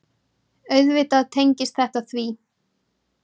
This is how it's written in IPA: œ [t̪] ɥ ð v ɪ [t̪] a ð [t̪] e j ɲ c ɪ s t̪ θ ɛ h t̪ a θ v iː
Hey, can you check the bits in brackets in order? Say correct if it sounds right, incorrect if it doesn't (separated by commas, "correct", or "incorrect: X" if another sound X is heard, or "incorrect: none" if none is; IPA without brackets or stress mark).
incorrect: none, correct, incorrect: t̪ʰ